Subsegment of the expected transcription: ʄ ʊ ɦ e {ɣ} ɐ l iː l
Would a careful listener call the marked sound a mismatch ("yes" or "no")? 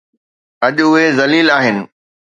yes